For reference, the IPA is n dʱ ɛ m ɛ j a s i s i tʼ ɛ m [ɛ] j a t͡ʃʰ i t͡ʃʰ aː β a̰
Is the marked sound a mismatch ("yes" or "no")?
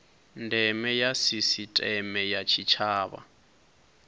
no